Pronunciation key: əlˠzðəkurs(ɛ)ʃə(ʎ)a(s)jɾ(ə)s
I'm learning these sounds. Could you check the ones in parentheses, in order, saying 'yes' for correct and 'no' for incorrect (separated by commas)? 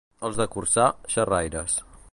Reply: no, no, no, yes